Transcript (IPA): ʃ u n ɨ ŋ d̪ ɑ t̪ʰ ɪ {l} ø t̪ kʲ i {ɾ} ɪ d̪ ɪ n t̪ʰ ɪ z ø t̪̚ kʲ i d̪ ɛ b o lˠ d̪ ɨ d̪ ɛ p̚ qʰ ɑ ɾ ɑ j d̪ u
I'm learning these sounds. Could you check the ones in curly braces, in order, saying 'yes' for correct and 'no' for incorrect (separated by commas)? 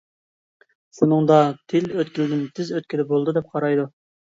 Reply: yes, no